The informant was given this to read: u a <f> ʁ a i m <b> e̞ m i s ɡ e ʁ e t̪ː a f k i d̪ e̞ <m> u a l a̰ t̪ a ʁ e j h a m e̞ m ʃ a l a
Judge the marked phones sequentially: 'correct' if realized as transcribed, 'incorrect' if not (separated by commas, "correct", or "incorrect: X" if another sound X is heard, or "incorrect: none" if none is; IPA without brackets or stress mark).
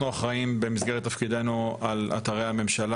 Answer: incorrect: χ, correct, incorrect: n